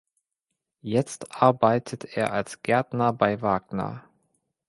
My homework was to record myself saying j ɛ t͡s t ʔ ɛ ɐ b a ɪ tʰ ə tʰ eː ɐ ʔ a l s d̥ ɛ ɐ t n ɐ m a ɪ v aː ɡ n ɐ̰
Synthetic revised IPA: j ɛ t͡s t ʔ a ɐ b a ɪ tʰ ə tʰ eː ɐ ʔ a l s ɡ̥ ɛ ɐ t n ɐ b a ɪ v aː ɡ n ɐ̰